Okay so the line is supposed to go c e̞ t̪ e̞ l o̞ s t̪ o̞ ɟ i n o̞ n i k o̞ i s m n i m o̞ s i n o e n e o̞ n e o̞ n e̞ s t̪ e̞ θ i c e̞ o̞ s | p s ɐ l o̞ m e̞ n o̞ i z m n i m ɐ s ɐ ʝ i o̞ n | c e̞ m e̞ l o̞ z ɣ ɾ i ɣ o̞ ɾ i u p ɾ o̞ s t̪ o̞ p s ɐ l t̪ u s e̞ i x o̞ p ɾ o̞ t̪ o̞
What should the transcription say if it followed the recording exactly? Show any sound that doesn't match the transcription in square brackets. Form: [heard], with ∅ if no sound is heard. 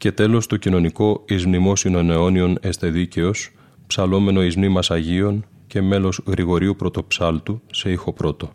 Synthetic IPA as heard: c e̞ t̪ e̞ l o̞ s t̪ o̞ [c] i n o̞ n i k o̞ i [z] m n i m o̞ s i n o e n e o̞ n [i] o̞ n e̞ s t̪ e̞ [ð] i c e̞ o̞ s | p s ɐ l o̞ m e̞ n o̞ i z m n i m ɐ s ɐ ʝ i o̞ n | c e̞ m e̞ l o̞ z ɣ ɾ i ɣ o̞ ɾ i u p ɾ o̞ [∅] t̪ o̞ p s ɐ l t̪ u s e̞ i x o̞ p ɾ o̞ t̪ o̞